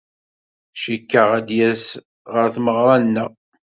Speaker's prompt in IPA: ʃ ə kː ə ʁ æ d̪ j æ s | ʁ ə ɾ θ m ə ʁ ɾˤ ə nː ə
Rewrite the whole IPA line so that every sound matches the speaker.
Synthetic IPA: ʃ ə kː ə ʁ æ d̪ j æ s | ʁ ə ɾ θ m ə ʁ ɾˤ ɑ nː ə